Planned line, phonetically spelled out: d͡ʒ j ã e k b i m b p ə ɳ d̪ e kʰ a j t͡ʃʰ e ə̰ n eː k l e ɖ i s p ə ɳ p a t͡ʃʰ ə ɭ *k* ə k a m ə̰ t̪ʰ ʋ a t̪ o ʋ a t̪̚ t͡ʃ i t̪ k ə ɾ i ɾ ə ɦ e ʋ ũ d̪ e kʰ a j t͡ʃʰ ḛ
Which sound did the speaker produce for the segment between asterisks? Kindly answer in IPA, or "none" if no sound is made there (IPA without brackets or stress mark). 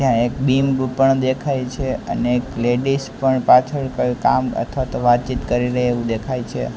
k